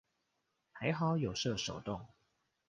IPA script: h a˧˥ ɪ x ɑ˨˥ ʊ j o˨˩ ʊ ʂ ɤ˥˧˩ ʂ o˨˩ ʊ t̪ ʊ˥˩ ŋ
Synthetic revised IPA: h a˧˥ ɪ x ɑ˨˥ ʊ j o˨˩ ʊ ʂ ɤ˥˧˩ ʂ o˨˩ ʊ t̪ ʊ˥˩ ŋ